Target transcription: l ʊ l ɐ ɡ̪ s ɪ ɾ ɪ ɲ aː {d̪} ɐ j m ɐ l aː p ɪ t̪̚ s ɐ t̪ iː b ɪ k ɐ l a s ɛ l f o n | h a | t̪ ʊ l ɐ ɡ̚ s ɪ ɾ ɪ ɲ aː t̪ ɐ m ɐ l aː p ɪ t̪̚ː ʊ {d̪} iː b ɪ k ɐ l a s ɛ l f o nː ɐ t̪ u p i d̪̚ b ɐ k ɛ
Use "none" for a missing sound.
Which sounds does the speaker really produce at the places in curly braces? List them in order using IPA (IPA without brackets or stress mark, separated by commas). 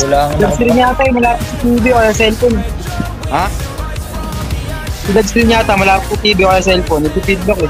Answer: t̪, t̪